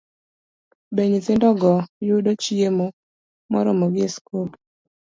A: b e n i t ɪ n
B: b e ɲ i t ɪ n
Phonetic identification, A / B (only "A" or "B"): B